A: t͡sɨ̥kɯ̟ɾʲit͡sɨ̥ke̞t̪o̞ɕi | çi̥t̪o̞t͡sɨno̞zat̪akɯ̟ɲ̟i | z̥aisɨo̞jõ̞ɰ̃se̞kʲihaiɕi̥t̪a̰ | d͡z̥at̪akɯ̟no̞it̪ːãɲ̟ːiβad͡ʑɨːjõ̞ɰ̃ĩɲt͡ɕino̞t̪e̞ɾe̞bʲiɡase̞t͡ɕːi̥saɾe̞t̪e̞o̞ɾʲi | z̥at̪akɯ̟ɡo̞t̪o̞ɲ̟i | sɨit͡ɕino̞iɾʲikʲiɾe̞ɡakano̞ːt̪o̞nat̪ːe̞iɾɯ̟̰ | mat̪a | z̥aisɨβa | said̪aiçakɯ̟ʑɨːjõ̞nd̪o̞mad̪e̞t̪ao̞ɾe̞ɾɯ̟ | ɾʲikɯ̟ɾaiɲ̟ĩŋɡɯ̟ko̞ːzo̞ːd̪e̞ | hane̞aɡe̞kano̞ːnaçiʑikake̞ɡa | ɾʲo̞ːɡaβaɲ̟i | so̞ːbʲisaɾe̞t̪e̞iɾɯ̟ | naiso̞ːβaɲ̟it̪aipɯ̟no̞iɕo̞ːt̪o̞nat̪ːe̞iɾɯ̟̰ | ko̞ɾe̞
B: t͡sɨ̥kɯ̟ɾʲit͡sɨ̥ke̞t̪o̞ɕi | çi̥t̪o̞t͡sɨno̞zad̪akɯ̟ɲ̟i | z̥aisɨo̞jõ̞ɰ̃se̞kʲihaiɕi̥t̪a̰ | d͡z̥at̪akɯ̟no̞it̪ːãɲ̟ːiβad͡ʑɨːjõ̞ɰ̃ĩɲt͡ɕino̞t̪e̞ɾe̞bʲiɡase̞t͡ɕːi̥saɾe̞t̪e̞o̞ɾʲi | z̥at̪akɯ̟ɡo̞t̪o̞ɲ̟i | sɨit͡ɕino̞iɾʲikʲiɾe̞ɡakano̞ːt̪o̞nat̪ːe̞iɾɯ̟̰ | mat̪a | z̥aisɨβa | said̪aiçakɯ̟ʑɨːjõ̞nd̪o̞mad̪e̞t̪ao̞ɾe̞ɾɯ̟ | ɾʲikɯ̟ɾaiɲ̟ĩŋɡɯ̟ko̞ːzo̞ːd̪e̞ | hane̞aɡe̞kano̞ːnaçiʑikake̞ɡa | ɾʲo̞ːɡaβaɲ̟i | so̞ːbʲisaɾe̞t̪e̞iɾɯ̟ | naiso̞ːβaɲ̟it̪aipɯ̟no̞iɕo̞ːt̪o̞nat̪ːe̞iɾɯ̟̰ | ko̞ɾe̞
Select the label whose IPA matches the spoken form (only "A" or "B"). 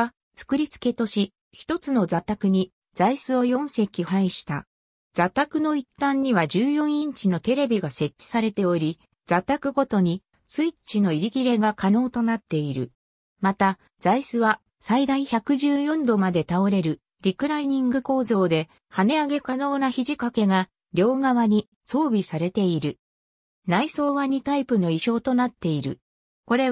A